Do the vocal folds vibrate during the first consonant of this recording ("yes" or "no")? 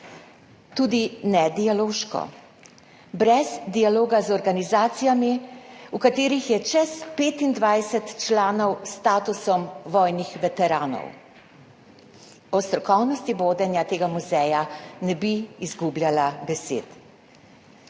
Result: no